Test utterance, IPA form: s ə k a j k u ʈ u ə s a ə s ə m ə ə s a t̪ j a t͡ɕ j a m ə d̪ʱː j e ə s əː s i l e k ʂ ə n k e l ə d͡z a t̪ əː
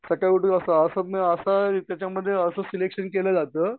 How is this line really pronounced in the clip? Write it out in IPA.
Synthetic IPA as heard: s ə k a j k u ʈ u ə s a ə s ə m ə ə s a t̪ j a t͡ɕ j a m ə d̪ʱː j e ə s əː s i l e k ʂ ə n k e l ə d͡z a t̪ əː